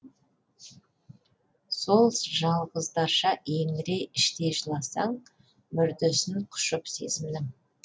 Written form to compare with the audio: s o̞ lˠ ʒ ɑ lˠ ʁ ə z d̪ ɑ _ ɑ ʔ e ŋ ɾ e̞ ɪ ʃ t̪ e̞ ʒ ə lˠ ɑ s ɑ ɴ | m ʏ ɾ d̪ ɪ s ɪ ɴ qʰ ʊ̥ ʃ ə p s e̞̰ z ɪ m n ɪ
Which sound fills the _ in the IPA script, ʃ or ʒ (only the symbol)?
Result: ʃ